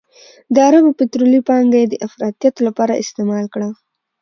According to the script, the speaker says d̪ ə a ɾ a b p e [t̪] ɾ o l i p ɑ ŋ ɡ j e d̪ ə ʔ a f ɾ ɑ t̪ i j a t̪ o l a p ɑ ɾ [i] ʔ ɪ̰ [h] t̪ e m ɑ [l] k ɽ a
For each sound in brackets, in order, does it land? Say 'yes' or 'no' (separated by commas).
yes, no, no, yes